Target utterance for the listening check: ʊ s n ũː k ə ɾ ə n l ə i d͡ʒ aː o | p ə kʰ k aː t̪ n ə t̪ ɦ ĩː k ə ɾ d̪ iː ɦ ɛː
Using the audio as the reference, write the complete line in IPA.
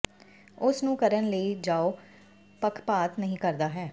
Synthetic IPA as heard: ʊ s n ũː k ə ɾ ə n l ə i d͡ʒ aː o | p ə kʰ p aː t̪ n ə ɦ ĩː k ə ɾ d̪ aː ɦ ɛː